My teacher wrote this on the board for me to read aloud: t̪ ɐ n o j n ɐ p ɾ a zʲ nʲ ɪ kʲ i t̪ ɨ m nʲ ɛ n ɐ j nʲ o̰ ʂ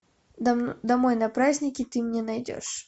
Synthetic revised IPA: d̪ ɐ m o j n ɐ p ɾ a zʲ nʲ ɪ kʲ ɪ t̪ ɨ m nʲ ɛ n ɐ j dʲ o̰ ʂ